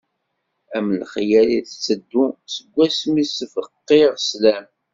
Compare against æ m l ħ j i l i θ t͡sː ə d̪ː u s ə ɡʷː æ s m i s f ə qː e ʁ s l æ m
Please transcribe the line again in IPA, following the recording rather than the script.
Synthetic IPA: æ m l χ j æ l i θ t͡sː ə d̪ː u s ə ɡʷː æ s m i s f ə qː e ʁ s l æ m